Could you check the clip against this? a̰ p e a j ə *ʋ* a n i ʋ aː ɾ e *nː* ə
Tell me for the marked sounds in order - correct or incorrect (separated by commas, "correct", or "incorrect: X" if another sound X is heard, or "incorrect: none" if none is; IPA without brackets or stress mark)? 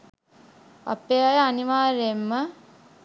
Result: incorrect: none, incorrect: mː